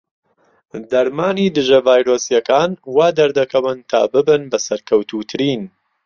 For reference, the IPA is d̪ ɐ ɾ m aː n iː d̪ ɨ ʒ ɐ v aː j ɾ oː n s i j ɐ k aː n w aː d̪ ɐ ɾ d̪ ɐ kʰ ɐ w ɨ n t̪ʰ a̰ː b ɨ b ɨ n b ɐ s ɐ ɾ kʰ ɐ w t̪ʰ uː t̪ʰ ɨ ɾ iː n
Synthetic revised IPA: d̪ ɐ ɾ m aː n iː d̪ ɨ ʒ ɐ v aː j ɾ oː s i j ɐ k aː n w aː d̪ ɐ ɾ d̪ ɐ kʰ ɐ w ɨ n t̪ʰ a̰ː b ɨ b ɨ n b ɐ s ɐ ɾ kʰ ɐ w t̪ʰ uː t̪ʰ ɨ ɾ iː n